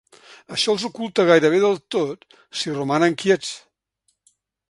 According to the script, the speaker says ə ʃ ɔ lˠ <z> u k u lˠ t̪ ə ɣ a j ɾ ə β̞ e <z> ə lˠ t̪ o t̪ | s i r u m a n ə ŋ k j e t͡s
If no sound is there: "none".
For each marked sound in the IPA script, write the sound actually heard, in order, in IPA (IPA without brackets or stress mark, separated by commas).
z, ð